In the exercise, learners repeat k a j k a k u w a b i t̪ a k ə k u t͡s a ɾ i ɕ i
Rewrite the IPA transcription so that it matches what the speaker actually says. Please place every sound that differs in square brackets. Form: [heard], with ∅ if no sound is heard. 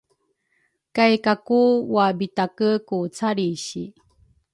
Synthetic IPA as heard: k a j k a k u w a b i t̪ a k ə k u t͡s a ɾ i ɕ i